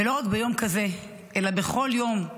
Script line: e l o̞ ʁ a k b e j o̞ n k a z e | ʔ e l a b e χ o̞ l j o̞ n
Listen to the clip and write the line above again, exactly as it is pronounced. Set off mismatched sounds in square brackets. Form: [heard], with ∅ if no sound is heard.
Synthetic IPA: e l o̞ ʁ a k b e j o̞ [m] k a z e | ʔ e l a b e χ o̞ l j o̞ [m]